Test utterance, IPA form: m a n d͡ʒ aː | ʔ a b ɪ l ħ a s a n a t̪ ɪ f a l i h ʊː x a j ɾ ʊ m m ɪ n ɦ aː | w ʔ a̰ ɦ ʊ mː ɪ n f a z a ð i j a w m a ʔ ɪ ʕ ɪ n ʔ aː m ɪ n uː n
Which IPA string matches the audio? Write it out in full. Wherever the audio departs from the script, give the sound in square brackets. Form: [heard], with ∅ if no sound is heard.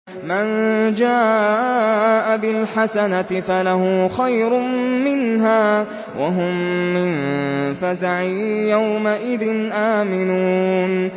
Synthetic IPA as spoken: m a n d͡ʒ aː | ʔ a b ɪ l ħ a s a n a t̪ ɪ f a l [a] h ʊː x a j ɾ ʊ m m ɪ n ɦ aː | w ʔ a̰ ɦ ʊ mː ɪ n f a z a [ʕ] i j a w m a ʔ ɪ [ð] ɪ n ʔ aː m ɪ n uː n